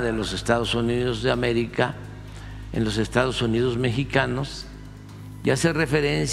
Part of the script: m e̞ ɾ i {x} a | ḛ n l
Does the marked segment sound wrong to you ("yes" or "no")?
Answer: yes